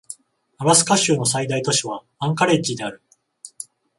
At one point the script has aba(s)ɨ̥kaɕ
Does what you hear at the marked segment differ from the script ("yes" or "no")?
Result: no